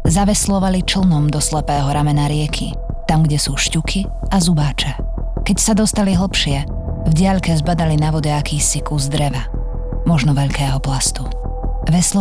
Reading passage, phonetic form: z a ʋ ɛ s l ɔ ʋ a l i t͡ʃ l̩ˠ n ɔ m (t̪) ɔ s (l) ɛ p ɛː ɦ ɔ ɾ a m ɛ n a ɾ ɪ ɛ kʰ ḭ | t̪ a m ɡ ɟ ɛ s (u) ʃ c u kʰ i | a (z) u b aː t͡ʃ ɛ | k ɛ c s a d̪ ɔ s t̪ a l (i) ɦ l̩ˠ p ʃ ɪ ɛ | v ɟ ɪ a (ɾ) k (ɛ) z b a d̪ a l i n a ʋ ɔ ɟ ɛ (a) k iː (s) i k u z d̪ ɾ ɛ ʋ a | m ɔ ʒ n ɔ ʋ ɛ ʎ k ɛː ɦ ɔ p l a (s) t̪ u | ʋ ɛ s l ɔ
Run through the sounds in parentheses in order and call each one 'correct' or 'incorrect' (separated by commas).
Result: incorrect, correct, incorrect, correct, correct, incorrect, correct, correct, correct, correct